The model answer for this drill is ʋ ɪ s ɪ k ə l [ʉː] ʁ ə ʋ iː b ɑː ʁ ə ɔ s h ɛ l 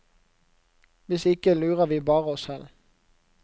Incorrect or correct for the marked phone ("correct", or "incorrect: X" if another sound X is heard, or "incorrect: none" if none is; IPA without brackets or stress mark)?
correct